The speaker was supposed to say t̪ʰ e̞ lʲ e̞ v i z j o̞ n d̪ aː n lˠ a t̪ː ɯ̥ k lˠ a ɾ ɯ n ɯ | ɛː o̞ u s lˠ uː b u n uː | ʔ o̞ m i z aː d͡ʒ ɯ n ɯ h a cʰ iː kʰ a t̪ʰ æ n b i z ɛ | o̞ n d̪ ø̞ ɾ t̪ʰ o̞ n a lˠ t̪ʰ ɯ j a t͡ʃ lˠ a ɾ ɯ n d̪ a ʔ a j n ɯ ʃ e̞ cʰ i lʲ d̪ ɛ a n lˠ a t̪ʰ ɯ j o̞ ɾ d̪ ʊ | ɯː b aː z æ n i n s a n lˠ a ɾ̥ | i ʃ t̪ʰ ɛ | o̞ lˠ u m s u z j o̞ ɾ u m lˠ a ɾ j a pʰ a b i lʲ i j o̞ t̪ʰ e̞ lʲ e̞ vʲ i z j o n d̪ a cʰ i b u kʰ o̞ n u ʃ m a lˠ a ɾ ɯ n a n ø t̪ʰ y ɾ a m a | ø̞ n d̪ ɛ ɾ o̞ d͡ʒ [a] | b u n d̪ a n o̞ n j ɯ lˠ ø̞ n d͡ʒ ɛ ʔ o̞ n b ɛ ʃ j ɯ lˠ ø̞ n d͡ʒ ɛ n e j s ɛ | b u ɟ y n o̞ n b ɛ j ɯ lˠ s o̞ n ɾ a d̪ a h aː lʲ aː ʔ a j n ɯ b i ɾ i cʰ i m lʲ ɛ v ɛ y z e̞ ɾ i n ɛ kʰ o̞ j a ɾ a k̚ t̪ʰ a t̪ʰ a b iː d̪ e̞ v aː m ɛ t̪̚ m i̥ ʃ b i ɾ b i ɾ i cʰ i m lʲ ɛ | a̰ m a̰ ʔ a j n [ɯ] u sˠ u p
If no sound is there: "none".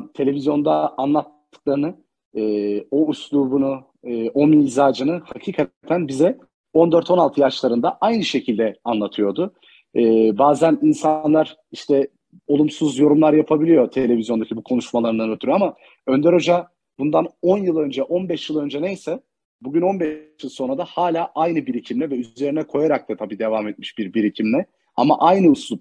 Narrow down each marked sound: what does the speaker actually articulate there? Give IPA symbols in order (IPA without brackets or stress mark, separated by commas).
a, ɯ